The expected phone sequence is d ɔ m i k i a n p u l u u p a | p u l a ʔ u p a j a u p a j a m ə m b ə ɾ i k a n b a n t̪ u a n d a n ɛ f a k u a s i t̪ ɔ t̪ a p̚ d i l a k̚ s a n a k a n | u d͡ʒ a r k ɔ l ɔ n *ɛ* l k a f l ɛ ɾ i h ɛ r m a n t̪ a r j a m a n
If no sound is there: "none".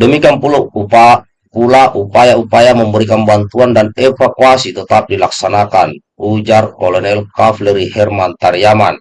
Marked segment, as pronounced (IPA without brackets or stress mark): ɛ